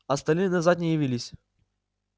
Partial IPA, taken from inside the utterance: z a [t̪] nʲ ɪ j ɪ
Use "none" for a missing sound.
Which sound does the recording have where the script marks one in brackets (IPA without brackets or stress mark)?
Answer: t̪